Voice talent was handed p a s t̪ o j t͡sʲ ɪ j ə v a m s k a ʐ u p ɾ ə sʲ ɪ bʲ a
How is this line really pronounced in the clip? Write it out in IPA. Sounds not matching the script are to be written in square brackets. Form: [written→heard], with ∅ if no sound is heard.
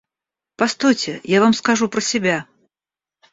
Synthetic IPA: p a s t̪ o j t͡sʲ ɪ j [ə→a] v a m s k a ʐ u p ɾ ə sʲ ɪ bʲ a